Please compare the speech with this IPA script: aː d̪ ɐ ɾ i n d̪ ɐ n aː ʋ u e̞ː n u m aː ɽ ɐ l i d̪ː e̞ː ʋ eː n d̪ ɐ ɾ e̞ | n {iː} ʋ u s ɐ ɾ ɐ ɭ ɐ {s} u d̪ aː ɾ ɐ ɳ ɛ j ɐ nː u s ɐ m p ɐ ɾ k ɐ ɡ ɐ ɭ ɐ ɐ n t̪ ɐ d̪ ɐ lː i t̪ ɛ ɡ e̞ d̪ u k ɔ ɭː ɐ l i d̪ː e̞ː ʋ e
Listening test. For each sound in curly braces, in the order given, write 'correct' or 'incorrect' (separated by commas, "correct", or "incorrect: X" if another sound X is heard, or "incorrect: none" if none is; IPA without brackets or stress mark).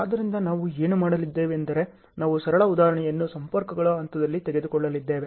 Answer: incorrect: aː, incorrect: none